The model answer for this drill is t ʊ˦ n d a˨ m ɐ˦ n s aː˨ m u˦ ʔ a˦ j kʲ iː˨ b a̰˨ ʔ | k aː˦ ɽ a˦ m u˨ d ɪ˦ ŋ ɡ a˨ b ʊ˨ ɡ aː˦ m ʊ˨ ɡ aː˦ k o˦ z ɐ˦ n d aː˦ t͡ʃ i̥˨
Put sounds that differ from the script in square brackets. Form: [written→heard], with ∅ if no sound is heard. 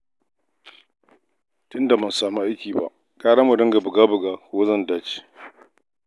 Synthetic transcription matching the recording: t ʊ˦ n d a˨ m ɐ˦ n s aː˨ m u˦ ʔ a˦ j kʲ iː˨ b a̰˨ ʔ | [k→kʼ] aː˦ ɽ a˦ m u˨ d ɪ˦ ŋ ɡ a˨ b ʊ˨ ɡ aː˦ [m→b] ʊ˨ ɡ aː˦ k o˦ z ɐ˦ n d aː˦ t͡ʃ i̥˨